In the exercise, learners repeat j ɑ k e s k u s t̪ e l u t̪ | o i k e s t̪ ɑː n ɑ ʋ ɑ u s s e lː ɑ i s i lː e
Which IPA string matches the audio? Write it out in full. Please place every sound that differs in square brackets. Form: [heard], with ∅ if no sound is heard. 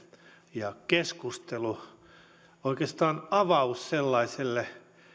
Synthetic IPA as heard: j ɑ k e s k u s t̪ e l u [∅] | o i k e s t̪ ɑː n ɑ ʋ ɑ u s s e lː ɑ i s [e] lː e